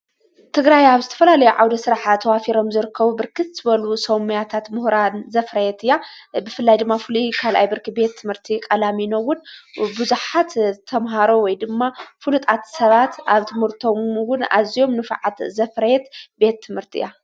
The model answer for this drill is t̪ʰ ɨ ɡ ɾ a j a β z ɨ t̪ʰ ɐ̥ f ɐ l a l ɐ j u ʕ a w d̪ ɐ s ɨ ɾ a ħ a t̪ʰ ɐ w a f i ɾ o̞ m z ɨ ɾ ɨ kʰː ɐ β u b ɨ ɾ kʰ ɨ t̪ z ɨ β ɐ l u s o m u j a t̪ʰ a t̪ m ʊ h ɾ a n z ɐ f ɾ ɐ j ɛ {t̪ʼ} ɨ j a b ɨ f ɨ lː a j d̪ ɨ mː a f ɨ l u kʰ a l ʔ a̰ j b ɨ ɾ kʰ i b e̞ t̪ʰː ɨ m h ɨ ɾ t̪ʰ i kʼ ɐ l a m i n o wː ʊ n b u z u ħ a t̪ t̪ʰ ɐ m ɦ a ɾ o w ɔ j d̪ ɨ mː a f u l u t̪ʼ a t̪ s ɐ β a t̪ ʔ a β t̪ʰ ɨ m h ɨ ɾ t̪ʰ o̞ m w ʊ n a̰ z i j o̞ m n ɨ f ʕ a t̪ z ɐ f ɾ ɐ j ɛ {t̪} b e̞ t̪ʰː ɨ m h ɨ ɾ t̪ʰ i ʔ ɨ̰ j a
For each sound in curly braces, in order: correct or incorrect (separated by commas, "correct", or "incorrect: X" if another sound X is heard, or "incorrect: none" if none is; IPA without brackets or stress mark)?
incorrect: t̪, correct